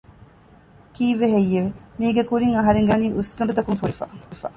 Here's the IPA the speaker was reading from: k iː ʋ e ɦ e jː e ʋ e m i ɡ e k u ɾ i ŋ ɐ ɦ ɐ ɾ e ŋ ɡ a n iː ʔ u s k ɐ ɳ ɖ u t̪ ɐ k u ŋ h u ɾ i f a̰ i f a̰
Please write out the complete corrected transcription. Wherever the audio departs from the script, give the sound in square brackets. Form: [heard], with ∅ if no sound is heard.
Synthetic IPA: k iː ʋ e ɦ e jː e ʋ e m [iː] ɡ e k u ɾ i ŋ ɐ ɦ ɐ ɾ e ŋ ɡ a n iː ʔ u s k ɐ ɳ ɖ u t̪ ɐ k u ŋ [f] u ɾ i f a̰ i f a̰